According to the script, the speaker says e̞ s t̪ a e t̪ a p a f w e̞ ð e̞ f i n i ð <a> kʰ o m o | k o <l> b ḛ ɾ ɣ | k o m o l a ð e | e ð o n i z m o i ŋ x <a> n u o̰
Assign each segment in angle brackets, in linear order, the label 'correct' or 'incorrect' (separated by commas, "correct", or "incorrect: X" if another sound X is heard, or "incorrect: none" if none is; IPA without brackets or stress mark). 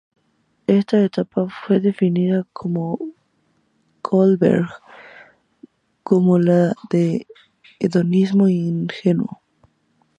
correct, correct, incorrect: e